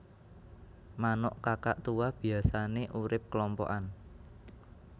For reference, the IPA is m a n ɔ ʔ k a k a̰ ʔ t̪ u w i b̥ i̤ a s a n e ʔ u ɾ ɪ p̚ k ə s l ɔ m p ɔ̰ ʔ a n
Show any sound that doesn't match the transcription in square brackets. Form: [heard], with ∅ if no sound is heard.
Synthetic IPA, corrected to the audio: m a n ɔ ʔ k a k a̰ ʔ t̪ u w [a] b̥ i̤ a s a n e ʔ u ɾ ɪ p̚ k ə [∅] l ɔ m p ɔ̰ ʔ a n